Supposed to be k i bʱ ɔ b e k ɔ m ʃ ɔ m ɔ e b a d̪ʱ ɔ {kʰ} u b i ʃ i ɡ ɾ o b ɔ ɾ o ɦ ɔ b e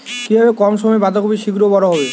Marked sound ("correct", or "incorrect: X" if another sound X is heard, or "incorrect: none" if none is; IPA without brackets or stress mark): incorrect: k